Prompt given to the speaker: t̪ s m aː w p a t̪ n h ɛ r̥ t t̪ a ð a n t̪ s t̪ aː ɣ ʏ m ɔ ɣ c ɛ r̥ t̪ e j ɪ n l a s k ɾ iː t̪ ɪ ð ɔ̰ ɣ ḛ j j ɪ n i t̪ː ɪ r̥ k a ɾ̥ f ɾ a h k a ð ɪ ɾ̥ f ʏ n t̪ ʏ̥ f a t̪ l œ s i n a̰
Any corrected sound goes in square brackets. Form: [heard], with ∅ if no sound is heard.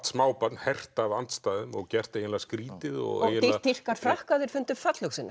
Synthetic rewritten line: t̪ s m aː w p a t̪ n h ɛ r̥ t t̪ a [v] a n t̪ s t̪ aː [ð] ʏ m ɔ ɣ c ɛ r̥ t̪ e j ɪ n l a s k ɾ iː t̪ ɪ ð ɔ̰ ɣ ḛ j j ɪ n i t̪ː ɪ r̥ k a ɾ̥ f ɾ a h k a ð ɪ ɾ̥ f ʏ n t̪ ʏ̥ f a t̪ l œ s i n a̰